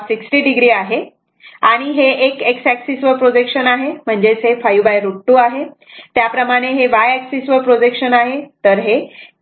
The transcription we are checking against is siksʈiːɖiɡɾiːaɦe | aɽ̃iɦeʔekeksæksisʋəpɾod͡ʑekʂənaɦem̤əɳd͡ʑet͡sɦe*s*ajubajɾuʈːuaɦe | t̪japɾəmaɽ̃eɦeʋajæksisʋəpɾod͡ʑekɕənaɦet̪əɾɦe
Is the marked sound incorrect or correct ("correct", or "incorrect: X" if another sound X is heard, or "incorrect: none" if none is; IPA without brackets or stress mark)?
incorrect: f